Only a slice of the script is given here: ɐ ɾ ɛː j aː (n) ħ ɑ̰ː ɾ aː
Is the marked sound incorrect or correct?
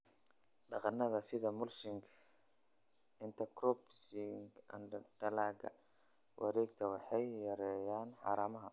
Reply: correct